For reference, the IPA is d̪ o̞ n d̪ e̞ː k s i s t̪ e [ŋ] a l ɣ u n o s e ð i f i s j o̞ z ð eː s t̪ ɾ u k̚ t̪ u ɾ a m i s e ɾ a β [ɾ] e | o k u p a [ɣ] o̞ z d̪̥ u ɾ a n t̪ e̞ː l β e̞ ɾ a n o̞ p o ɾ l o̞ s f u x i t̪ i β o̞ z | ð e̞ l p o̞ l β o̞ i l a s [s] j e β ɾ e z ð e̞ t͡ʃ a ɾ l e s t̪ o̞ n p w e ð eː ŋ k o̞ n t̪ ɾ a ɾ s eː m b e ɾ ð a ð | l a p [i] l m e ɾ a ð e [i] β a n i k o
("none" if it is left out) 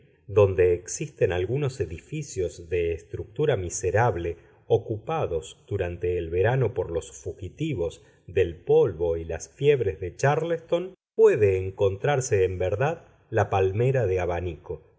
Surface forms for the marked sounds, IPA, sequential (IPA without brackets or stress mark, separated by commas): n, l, ð, f, a, a